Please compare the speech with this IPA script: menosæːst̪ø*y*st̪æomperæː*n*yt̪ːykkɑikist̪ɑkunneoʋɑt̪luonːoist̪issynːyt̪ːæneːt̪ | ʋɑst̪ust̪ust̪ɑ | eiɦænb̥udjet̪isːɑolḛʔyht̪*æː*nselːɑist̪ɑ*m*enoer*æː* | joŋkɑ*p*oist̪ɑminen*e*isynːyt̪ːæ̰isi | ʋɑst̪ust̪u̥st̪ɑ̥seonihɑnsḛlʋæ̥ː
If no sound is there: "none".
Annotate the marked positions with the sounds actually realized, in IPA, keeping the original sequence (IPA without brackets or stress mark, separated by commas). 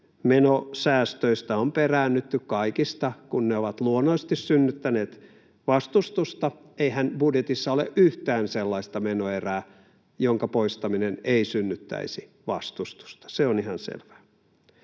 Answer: i, nː, æː, m, æː, p, e